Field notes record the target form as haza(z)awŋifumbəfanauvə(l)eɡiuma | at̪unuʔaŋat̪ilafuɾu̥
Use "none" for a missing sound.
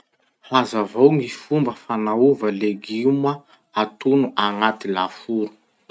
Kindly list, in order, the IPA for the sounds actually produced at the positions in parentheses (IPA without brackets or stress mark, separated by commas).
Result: v, l